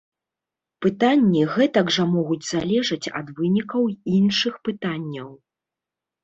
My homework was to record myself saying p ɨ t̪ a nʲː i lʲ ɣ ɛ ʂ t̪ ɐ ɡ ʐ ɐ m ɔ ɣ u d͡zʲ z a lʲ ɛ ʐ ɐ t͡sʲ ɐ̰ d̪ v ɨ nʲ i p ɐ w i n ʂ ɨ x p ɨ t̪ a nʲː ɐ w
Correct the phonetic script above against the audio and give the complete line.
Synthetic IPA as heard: p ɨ t̪ a nʲː i ɣ ɛ t̪ ɐ ɡ ʐ ɐ m ɔ ɣ u d͡zʲ z a lʲ ɛ ʐ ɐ t͡sʲ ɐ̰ d̪ v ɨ nʲ i k ɐ w i n ʂ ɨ x p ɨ t̪ a nʲː ɐ w